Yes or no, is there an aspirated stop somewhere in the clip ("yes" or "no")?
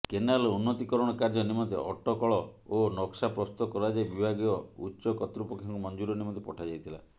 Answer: yes